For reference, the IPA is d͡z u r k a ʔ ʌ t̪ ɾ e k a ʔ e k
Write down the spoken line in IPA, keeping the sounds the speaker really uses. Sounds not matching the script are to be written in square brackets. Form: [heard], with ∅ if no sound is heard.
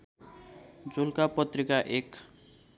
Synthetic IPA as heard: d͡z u [l] k a [p] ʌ t̪ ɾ [i] k a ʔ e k